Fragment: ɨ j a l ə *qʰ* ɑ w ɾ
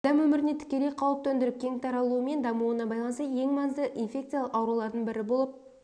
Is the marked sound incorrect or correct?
incorrect